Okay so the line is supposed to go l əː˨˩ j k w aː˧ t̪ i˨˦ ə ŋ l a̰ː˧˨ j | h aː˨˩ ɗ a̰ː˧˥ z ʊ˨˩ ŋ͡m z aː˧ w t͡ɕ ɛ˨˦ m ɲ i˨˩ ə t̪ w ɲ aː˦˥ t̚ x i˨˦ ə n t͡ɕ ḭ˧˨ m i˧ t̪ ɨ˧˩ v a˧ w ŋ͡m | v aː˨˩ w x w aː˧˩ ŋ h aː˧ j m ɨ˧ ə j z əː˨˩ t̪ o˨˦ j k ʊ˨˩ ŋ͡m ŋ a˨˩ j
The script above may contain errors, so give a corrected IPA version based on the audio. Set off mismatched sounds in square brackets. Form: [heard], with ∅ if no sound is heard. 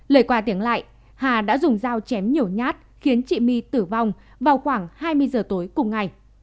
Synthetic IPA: l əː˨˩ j k w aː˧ t̪ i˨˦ ə ŋ l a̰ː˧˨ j | h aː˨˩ ɗ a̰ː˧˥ z ʊ˨˩ ŋ͡m z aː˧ w t͡ɕ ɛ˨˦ m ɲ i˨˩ ə [∅] w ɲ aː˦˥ t̚ x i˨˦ ə n t͡ɕ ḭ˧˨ m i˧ t̪ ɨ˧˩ v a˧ w ŋ͡m | v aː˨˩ w x w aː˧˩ ŋ h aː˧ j m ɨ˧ ə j z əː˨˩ t̪ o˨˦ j k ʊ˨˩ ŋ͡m ŋ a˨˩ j